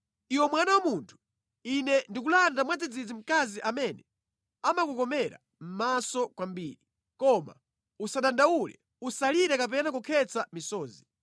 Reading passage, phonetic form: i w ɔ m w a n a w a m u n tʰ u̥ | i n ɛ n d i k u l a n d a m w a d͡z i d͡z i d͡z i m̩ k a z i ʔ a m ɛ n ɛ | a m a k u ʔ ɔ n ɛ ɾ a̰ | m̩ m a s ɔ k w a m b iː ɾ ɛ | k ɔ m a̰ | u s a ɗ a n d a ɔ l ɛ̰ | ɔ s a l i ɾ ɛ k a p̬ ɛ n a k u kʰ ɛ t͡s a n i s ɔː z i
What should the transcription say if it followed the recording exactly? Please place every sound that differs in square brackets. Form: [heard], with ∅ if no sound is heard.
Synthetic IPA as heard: i w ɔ m w a n a w a m u n tʰ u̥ | i n ɛ n d i k u l a n d a m w a d͡z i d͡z i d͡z i m̩ k a z i ʔ a m ɛ n ɛ | a m a k u [k] ɔ [m] ɛ ɾ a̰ | m̩ m a s ɔ k w a m b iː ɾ [i] | k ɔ m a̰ | u s a ɗ a n d a [u] l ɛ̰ | [u] s a l i ɾ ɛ k a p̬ ɛ n a k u kʰ ɛ t͡s a [m] i s ɔː z i